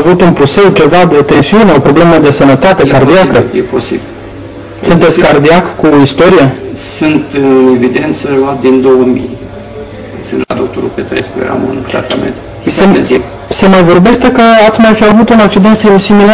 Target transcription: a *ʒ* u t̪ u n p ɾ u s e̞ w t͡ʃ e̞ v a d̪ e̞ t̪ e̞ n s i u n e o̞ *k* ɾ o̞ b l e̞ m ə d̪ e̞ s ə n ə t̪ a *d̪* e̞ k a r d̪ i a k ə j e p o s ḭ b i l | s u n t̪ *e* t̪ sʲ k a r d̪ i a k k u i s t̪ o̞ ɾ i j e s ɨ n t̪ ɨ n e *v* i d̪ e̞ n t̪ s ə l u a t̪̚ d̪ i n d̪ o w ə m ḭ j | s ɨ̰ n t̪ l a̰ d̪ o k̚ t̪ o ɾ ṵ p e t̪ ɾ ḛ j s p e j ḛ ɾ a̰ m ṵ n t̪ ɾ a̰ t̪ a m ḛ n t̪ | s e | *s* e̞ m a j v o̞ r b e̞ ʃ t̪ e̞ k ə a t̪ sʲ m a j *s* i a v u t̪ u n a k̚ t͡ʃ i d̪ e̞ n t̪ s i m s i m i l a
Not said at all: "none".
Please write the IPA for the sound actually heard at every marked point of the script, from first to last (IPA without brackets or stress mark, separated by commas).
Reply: v, p, t̪, e, v, s, f